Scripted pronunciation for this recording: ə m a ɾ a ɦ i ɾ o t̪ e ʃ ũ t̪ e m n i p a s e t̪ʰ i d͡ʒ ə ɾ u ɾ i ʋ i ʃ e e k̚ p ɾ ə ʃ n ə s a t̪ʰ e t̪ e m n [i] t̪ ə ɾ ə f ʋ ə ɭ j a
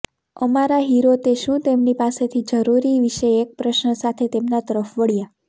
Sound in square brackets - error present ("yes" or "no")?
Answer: yes